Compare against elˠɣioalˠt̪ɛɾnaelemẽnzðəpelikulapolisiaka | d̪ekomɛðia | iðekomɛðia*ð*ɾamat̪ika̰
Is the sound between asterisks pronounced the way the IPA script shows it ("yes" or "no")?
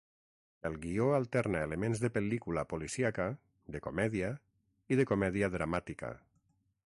yes